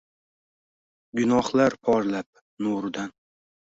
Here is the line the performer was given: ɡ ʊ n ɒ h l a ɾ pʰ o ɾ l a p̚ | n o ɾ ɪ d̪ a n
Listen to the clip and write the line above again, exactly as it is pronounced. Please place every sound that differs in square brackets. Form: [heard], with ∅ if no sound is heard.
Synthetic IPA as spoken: ɡ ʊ n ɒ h l a ɾ pʰ [ɒ] ɾ l a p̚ | n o ɾ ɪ d̪ a n